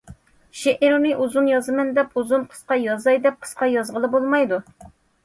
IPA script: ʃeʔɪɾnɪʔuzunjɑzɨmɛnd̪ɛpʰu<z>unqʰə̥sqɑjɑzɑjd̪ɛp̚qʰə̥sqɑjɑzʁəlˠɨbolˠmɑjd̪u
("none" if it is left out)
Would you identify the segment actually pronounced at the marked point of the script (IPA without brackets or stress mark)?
z